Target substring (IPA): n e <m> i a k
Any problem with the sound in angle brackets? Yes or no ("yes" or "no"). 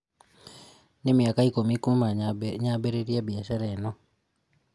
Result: no